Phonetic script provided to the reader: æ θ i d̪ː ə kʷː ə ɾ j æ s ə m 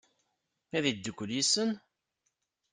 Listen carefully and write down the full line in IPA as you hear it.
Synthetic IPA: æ ð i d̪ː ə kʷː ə l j i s ə n